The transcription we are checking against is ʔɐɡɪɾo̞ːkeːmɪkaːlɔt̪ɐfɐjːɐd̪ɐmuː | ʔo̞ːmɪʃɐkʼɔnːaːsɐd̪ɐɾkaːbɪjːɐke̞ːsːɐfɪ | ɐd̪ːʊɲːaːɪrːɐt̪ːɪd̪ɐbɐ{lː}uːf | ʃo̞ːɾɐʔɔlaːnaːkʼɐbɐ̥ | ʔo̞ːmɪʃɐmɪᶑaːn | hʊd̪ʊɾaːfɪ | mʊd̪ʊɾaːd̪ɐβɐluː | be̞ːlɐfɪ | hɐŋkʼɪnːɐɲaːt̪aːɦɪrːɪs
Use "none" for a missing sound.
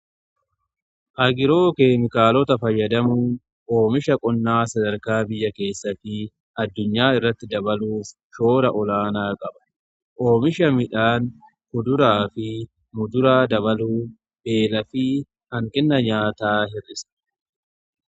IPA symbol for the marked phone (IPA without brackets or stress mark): l